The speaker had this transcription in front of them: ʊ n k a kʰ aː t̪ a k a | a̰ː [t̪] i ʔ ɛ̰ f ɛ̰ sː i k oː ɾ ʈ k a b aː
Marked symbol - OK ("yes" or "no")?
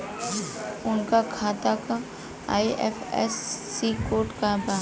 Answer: no